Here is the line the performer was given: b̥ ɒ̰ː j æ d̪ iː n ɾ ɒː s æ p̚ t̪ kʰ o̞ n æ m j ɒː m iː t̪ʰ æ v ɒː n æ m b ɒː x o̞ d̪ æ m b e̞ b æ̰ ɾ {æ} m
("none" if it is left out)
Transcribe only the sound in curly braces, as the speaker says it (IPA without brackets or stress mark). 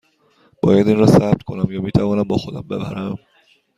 æ